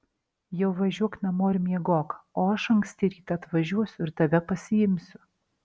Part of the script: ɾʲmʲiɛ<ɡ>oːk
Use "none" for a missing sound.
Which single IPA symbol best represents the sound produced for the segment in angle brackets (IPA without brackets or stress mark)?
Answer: ɡ